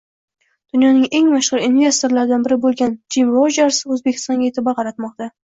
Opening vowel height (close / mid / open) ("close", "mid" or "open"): close